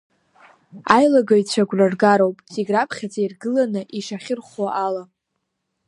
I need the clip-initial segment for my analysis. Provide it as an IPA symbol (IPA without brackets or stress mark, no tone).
a